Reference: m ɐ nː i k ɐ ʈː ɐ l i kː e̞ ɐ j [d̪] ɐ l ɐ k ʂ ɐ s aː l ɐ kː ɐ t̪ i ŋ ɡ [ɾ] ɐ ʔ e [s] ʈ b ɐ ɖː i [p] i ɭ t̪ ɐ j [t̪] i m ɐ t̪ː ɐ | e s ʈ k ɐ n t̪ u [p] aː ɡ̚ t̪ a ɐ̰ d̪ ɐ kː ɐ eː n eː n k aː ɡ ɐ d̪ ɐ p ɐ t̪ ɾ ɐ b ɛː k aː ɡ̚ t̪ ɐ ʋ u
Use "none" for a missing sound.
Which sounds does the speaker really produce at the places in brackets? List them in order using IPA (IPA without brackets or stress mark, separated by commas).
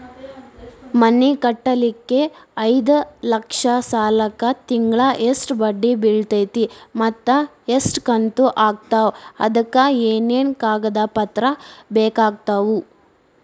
d̪, ɭ, s, b, t̪, ʔ